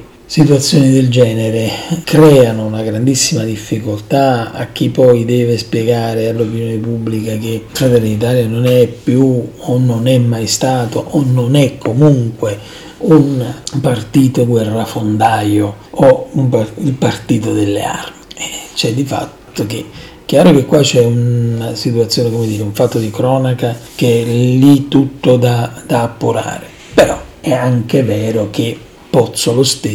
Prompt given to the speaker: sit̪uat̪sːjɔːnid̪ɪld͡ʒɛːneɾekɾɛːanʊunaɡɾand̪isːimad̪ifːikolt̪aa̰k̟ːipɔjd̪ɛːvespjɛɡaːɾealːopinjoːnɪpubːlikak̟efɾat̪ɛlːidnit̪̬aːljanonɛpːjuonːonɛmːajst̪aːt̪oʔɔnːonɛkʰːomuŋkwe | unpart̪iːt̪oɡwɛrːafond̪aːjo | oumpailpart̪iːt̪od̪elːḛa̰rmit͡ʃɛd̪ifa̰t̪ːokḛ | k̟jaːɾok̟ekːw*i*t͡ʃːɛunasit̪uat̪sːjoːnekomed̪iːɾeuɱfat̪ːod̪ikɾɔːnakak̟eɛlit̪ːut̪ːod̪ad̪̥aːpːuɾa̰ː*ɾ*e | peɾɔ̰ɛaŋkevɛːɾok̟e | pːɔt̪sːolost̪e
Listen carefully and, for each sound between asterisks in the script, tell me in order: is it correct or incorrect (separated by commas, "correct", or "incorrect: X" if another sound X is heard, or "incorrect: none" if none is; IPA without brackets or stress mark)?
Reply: incorrect: a, correct